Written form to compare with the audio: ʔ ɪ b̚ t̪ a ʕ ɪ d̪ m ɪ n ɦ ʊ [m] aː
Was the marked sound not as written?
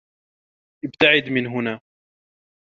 yes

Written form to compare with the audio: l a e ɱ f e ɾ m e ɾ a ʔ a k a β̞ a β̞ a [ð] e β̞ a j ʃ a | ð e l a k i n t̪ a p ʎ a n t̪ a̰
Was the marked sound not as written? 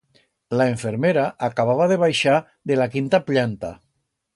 no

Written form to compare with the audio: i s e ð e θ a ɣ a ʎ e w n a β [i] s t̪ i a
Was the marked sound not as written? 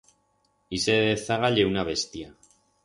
yes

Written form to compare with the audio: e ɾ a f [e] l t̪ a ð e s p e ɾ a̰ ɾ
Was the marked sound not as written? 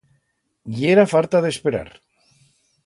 yes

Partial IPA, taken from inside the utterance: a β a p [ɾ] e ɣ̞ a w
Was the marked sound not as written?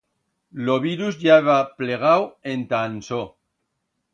yes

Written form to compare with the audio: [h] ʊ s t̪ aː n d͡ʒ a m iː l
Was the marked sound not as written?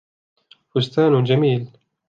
yes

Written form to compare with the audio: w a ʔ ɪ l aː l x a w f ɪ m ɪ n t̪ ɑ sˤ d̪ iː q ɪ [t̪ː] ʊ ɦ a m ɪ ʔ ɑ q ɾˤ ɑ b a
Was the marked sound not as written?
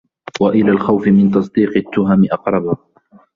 no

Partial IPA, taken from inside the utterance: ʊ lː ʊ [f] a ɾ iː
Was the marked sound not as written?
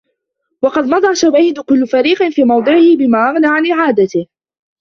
no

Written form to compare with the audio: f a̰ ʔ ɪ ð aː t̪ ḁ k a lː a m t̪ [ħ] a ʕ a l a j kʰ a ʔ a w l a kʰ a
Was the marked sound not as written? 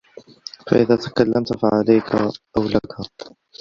yes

